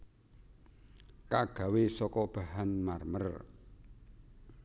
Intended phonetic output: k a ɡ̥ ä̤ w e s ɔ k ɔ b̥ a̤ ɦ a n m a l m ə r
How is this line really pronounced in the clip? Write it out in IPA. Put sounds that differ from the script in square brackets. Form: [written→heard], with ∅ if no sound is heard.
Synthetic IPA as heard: k a ɡ̥ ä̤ w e s ɔ k ɔ b̥ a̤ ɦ a n m a [l→r] m ə r